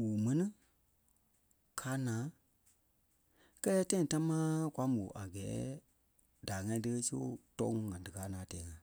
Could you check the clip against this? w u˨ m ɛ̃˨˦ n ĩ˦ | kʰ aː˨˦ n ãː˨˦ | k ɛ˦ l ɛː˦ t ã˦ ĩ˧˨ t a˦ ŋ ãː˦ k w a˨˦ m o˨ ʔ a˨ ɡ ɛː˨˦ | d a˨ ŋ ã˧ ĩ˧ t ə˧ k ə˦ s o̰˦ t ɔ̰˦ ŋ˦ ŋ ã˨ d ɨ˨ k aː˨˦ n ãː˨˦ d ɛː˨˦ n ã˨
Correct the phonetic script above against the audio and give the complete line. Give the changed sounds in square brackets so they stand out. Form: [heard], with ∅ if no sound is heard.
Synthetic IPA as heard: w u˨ m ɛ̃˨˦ n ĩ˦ | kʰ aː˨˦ n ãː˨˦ | k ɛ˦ l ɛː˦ t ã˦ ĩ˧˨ t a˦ [m] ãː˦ k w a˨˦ m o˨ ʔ a˨ ɡ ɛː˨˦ | d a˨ ŋ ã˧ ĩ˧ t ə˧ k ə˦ s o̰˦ t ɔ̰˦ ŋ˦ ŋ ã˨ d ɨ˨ k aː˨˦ n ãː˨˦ [t] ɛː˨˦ [ŋ] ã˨

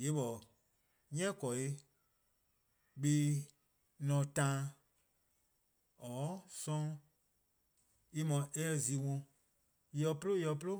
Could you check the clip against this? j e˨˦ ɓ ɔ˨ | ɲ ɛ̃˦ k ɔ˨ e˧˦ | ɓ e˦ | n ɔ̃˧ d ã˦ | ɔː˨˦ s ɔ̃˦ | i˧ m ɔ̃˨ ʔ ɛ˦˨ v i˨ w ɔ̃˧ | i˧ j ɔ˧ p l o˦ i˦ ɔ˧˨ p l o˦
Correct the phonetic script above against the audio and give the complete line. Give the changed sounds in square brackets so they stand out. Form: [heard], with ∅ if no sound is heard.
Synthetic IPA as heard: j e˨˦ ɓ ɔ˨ | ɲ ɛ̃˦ k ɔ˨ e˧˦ | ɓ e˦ | n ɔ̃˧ [t] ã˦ | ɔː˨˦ s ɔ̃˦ | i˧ m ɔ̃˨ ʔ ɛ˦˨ [z] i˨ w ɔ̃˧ | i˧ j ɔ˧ p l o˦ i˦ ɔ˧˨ p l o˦

